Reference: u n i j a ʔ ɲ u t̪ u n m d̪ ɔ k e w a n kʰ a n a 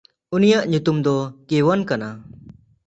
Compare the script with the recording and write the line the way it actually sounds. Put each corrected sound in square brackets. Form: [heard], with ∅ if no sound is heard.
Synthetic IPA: u n i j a ʔ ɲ u t̪ u [∅] m d̪ ɔ k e w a n [k] a n a